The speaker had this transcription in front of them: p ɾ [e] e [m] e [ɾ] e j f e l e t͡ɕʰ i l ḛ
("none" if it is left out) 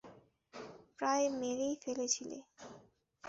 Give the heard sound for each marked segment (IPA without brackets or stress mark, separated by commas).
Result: a, m, ɾ